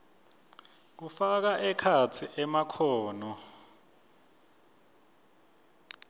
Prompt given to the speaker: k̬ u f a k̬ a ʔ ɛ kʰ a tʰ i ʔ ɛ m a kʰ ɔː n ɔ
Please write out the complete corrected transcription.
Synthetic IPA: k̬ u f a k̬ a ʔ ɛ kʰ a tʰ i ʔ ɛ m a kʰ ɔː n ɔ